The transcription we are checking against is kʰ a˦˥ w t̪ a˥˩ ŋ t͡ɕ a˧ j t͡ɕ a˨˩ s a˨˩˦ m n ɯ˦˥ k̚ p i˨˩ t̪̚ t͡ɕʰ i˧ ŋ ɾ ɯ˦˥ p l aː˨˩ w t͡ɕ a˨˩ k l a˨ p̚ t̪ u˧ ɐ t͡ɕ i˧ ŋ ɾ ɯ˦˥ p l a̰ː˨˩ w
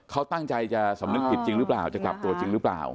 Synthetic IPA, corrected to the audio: kʰ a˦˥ w t̪ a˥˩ ŋ t͡ɕ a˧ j t͡ɕ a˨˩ s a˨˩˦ m n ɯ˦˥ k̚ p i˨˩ t̪̚ t͡ɕ i˧ ŋ ɾ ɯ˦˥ p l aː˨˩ w t͡ɕ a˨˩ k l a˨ p̚ t̪ u˧ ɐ t͡ɕ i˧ ŋ ɾ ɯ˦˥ p l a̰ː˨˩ w